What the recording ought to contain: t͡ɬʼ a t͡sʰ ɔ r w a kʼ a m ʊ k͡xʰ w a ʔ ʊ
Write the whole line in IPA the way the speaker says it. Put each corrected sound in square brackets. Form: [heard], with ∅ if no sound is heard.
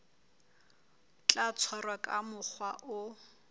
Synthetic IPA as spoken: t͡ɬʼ a t͡sʰ ɔ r w a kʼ a m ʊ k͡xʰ w a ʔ ʊ